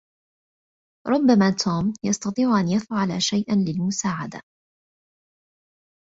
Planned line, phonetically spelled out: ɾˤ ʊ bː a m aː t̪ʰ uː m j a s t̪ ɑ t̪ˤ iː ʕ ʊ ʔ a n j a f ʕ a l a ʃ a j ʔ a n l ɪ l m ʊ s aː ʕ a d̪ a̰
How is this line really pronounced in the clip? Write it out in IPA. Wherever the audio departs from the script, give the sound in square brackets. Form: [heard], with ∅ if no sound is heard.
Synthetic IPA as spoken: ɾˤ ʊ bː a m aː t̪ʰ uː m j [ɑ] s t̪ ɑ t̪ˤ iː ʕ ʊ ʔ a n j a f ʕ a l a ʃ a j ʔ a n l ɪ l m ʊ s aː ʕ a d̪ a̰

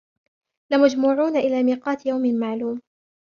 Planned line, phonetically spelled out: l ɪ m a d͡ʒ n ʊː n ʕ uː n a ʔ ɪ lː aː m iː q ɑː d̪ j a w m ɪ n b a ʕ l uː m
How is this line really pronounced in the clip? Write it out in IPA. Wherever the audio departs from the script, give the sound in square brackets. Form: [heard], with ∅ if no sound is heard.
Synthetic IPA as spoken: l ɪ m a d͡ʒ [m] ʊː [∅] ʕ uː n a ʔ ɪ [l] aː m iː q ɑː [t̪] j a w m ɪ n [m] a ʕ l uː m

